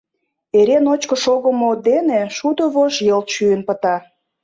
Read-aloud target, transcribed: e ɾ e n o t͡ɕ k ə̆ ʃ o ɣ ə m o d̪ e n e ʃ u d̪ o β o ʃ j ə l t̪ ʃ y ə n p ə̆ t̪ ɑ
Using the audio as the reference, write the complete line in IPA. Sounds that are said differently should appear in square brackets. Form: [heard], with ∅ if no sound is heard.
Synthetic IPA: e ɾ e n o t͡ɕ k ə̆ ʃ o ɣ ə m o d̪ e n e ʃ u d̪ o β o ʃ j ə l t̪ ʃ y ə n p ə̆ t̪ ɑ